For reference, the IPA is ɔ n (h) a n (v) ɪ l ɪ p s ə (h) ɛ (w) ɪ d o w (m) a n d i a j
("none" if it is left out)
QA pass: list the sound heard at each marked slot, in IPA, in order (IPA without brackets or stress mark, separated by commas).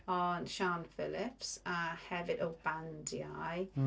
ʃ, f, h, v, b